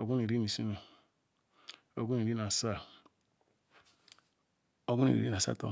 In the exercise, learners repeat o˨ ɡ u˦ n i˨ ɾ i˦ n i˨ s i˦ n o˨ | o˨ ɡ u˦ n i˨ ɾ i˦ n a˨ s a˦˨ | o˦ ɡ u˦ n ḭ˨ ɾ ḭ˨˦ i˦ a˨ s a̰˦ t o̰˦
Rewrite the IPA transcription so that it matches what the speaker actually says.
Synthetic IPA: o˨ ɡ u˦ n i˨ ɾ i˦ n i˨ s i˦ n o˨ | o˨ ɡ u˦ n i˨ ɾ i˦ n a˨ s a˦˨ | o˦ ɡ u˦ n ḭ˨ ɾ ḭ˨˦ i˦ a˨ s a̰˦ t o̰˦